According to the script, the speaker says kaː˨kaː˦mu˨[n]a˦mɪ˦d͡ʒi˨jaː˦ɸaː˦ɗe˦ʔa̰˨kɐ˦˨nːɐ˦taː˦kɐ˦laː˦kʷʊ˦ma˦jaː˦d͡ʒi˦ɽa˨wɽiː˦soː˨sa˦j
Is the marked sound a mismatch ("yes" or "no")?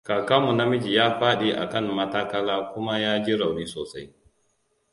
no